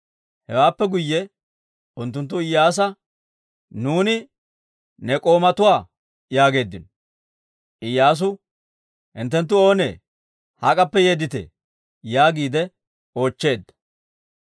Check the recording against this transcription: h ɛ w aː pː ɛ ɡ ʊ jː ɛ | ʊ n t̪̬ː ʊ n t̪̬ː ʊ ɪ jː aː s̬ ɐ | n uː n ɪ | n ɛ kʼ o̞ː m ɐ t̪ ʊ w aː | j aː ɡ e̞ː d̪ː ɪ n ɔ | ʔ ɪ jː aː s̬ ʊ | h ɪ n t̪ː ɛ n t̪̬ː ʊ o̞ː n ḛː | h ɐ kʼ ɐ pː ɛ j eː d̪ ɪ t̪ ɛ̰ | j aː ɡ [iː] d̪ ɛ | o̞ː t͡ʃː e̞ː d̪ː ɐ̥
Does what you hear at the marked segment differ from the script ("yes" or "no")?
no